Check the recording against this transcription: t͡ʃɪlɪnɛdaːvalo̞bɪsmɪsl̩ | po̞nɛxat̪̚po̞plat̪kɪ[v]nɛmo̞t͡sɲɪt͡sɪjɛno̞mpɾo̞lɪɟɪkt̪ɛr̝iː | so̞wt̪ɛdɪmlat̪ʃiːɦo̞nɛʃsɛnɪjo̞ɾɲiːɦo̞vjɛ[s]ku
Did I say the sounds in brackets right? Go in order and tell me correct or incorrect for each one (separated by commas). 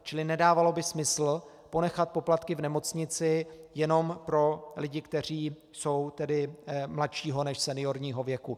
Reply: correct, incorrect